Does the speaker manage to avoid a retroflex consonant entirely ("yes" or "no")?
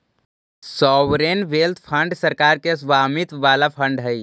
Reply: no